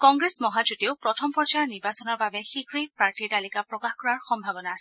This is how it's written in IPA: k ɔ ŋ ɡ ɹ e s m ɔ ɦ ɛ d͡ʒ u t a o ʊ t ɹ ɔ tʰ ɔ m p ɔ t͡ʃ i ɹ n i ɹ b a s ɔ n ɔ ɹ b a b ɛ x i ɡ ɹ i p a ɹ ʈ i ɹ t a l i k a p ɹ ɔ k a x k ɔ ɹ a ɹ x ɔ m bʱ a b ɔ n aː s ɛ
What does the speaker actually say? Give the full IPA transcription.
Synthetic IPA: k ɔ ŋ ɡ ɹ e s m ɔ ɦ a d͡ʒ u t i o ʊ p ɹ ɔ tʰ ɔ m p ɔ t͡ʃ a ɹ n i ɹ b a s ɔ n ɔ ɹ b a b ɛ x i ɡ ɹ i p a ɹ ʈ i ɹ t a l i k a p ɹ ɔ k a x k ɔ ɹ a ɹ x ɔ m bʱ a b ɔ n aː s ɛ